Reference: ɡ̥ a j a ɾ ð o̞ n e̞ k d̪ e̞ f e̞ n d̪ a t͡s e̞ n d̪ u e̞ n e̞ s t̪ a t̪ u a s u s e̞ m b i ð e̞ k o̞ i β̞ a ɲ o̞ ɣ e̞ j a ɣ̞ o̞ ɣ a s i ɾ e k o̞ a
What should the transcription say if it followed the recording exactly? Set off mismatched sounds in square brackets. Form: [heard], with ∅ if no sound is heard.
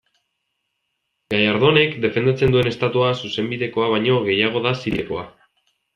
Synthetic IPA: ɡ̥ a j a ɾ ð o̞ n e̞ k d̪ e̞ f e̞ n d̪ a t͡s e̞ n d̪ u e̞ n e̞ s t̪ a t̪ u a s u s e̞ m b i ð e̞ k o̞ [a] β̞ a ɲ o̞ ɣ e̞ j a ɣ̞ o̞ [ð] a s i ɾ e k o̞ a

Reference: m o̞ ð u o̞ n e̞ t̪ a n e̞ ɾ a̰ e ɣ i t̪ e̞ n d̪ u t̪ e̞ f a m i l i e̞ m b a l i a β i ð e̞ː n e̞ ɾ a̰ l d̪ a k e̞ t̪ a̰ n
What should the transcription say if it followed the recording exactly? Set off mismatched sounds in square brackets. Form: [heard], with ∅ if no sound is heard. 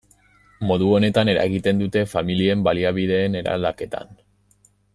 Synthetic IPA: m o̞ ð u o̞ n e̞ t̪ a n e̞ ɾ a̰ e ɣ i t̪ e̞ n d̪ u t̪ e̞ f a m i l i e̞ m b a l i a β i ð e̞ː n e̞ ɾ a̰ l d̪ a k e̞ t̪ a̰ n

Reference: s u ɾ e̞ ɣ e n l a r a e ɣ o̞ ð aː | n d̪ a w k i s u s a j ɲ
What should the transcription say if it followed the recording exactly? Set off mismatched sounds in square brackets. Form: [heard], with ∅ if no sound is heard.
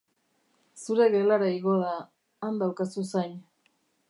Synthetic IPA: s u ɾ e̞ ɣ e [∅] l a [ɾ] a [i] ɣ o̞ ð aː | n d̪ a w k [a] s u s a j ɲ

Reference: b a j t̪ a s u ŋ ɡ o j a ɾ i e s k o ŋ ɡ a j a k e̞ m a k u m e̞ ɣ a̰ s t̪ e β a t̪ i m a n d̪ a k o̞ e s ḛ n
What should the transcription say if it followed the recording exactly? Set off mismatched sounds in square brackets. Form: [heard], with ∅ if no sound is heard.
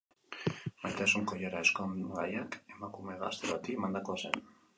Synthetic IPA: b a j t̪ a s u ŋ [k] o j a ɾ [a] e s k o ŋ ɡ a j a k e̞ m a k u m e̞ ɣ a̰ s t̪ e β a t̪ i m a n d̪ a k o̞ [a] s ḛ n

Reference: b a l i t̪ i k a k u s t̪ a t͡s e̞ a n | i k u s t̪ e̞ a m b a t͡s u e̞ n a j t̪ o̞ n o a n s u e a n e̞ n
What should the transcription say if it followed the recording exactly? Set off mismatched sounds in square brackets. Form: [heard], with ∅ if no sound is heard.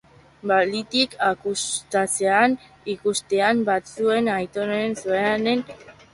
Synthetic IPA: b a l i t̪ i k a k u s t̪ a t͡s e̞ a n | i k u s t̪ e̞ a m b a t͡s u e̞ n a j t̪ o̞ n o [e] n s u e a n e̞ n

